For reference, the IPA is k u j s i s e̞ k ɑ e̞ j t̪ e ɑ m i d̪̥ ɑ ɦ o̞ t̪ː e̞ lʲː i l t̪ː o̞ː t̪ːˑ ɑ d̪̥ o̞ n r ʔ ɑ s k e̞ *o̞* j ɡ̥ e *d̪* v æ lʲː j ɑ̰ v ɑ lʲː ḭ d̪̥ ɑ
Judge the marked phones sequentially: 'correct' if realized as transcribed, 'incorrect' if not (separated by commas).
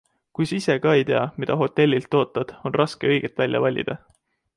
incorrect, incorrect